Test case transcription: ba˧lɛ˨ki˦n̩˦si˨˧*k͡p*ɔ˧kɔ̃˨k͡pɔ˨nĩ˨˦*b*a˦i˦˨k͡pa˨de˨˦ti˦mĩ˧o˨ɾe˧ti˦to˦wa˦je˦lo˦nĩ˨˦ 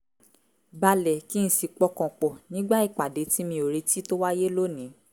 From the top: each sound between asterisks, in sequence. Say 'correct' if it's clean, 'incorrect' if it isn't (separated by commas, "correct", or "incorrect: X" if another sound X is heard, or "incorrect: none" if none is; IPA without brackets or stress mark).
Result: correct, incorrect: ɡ͡b